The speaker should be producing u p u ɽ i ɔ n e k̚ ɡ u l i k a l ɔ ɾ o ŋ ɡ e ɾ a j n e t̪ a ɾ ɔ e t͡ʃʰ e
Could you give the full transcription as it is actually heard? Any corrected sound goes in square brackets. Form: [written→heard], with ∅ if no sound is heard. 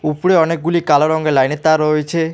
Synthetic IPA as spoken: u p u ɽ [i→e] ɔ n e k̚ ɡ u l i k a l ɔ ɾ [o→ɔ] ŋ ɡ e [ɾ→l] a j n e t̪ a ɾ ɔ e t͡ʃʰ e